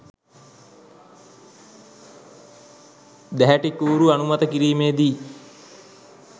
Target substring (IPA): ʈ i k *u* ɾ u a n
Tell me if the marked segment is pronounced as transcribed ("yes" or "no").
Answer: no